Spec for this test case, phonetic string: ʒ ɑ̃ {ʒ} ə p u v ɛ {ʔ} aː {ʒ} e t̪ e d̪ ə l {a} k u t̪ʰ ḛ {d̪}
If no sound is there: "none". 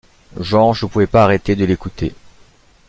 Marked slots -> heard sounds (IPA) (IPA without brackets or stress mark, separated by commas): ʒ, p, ʁ, e, none